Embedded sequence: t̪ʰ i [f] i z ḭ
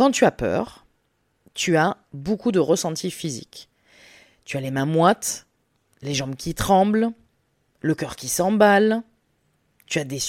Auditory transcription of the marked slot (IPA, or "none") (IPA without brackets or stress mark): f